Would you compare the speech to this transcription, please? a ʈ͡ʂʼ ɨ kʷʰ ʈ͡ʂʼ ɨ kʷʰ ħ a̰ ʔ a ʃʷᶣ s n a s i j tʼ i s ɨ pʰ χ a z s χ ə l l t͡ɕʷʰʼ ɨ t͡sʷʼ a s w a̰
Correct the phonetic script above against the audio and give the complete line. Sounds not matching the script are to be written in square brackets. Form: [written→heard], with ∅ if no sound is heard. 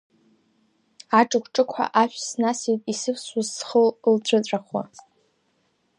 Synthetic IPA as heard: a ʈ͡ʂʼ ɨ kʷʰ ʈ͡ʂʼ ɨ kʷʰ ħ a̰ ʔ a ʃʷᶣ s n a s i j tʼ i s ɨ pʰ [χ→s] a z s χ ə l l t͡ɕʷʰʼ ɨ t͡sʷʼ a [s→χ] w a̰